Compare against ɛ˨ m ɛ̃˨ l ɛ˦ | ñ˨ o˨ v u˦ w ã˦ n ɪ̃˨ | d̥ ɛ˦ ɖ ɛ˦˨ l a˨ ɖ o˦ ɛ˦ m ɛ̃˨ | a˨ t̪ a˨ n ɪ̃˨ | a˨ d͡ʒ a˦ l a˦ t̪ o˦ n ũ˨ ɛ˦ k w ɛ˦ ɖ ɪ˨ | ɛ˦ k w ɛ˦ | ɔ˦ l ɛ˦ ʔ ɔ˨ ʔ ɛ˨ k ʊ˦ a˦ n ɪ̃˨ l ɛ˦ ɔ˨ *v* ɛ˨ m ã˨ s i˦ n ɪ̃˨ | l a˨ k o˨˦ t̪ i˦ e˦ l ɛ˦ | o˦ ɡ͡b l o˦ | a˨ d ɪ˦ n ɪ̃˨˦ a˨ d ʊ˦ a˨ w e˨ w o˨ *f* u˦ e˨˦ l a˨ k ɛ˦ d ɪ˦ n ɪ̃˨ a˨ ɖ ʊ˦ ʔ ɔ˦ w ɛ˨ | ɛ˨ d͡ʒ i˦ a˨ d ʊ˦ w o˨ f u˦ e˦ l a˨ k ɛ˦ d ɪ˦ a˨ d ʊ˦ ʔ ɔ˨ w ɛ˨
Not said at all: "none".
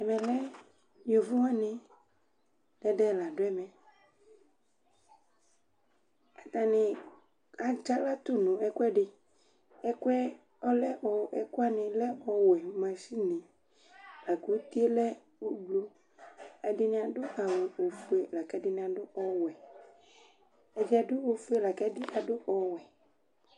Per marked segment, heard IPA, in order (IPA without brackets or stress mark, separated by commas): w, f